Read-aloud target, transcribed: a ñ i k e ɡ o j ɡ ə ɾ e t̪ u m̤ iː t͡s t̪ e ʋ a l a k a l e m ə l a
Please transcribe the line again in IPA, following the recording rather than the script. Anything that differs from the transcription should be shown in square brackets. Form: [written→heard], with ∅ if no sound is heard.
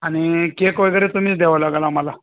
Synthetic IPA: a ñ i k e [ɡ→k] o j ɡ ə ɾ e t̪ u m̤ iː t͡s [t̪→d̪] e ʋ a l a [k→ɡ] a l [e→a] m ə l a